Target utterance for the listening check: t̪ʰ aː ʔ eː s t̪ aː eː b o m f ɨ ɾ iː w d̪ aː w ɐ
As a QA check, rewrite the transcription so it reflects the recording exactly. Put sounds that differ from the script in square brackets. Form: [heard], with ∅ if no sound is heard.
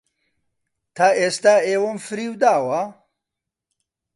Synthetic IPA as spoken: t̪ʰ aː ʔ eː s t̪ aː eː [w] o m f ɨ ɾ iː w d̪ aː w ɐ